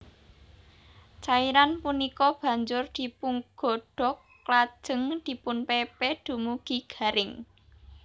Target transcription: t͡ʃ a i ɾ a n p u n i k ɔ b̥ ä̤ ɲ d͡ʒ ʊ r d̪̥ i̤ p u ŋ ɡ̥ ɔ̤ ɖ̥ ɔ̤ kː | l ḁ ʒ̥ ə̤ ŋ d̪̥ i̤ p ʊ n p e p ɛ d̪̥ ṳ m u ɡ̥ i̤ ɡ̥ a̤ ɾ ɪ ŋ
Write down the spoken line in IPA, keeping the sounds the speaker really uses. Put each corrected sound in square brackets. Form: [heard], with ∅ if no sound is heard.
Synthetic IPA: t͡ʃ a i ɾ a n p u n i k ɔ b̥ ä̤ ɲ d͡ʒ ʊ r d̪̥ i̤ p u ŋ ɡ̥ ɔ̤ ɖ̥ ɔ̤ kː | l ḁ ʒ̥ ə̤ ŋ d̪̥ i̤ p ʊ n p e p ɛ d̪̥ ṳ m u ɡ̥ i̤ ɡ̥ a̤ ɾ ɪ ŋ

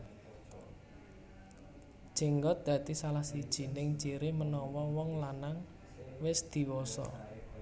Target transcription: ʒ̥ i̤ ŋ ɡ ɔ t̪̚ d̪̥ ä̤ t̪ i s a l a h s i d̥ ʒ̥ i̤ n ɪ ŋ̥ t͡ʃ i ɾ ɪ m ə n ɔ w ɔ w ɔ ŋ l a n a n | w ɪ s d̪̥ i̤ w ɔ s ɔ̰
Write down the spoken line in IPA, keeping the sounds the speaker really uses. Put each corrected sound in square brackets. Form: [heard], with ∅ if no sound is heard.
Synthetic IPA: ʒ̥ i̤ ŋ ɡ ɔ t̪̚ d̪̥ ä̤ t̪ i s a l a h s i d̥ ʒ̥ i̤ n ɪ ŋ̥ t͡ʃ i ɾ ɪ m ə n ɔ w ɔ w ɔ ŋ l a n a [ŋ] | w ɪ s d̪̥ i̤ w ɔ s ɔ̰

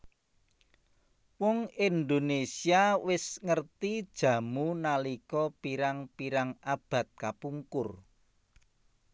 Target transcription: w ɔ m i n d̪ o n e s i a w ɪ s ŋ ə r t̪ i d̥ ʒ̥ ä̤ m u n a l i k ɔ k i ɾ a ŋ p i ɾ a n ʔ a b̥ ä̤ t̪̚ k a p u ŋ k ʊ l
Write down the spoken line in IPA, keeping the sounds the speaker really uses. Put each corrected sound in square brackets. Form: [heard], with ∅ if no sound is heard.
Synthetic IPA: w ɔ [ŋ] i n d̪ o n e s i a w ɪ s ŋ ə r t̪ i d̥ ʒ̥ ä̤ m u n a l i k ɔ [p] i ɾ a ŋ p i ɾ a [ŋ] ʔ a b̥ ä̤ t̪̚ k a p u ŋ k ʊ [r]

